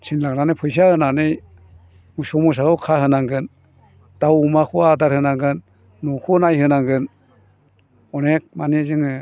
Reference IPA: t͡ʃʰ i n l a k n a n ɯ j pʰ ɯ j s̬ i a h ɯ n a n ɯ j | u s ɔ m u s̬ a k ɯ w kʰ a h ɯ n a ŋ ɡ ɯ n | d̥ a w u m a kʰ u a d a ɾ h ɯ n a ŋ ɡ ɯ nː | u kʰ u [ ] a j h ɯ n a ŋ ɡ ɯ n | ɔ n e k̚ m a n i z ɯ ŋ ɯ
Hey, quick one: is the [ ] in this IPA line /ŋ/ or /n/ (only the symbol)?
n